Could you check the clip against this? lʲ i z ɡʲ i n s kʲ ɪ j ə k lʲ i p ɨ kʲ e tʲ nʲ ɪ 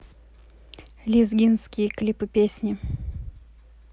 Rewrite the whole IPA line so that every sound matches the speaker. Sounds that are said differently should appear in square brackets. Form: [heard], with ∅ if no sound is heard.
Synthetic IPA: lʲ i z ɡʲ i n s kʲ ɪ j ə k lʲ i p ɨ [pʲ] e [sʲ] nʲ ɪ